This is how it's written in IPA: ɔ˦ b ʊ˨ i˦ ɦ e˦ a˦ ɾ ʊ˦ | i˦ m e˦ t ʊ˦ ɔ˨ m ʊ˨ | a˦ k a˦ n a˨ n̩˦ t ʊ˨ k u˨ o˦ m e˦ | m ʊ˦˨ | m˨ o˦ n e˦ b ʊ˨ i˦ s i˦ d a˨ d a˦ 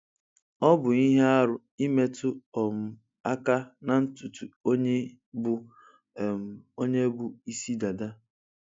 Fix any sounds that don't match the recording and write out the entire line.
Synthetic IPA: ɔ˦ b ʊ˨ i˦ ɦ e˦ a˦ ɾ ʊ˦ | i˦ m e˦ t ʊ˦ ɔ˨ m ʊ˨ | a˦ k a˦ n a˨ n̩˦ t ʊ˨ t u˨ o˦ ɲ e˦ | b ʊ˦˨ | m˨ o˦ ɲ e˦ b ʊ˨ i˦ s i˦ d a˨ d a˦